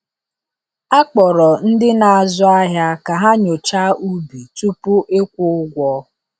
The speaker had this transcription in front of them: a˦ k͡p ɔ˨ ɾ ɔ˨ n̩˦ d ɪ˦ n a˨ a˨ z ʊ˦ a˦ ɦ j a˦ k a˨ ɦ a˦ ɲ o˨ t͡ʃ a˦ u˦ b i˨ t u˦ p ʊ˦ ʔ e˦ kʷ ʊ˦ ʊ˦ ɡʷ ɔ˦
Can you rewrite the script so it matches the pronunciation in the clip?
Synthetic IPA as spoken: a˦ k͡p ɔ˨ ɾ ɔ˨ n̩˦ d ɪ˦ n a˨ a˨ z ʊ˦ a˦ ɦ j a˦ k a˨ ɦ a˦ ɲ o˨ t͡ʃ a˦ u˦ b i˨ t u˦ p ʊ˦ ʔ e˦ kʷ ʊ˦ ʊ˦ ɡʷ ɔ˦